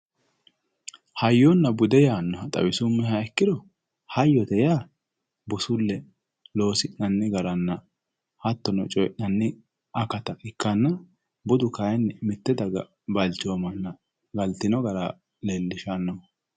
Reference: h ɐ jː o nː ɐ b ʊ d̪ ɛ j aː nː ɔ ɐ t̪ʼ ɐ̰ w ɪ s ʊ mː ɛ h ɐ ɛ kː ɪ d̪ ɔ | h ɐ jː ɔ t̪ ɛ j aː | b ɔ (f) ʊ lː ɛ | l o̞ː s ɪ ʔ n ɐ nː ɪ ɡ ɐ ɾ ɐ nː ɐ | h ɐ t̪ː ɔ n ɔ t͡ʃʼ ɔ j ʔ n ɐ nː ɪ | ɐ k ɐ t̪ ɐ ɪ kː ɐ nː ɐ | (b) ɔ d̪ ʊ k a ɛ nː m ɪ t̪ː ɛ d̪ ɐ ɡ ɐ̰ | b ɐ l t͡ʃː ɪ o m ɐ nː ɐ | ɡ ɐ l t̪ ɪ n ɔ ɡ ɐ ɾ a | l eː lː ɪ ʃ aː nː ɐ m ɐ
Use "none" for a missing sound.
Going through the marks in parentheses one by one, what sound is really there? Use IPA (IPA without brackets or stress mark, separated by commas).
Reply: s, b